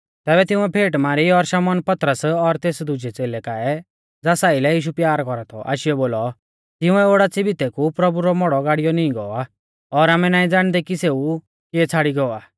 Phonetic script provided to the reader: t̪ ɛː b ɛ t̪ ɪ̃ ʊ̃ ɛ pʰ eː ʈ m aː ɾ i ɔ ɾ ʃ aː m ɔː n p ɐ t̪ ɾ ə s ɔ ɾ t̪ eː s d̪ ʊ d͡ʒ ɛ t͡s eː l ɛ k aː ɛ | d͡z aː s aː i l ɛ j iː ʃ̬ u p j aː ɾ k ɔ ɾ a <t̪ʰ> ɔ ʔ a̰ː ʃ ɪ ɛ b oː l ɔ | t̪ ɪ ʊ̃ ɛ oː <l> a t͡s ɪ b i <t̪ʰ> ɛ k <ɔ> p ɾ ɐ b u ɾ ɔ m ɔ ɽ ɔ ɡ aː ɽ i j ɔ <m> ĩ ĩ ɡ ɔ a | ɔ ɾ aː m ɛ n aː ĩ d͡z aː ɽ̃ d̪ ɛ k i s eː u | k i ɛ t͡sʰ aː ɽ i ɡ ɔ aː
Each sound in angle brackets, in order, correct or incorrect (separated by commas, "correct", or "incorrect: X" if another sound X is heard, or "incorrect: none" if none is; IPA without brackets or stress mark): correct, incorrect: ɽ, incorrect: t̪, incorrect: u, incorrect: n